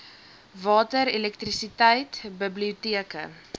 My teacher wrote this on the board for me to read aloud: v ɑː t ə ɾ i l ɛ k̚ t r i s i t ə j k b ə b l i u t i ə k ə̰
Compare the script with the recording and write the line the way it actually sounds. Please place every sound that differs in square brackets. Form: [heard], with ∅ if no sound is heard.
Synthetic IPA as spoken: v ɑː t ə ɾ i l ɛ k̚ t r i s i t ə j [t] b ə b l i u t i ə k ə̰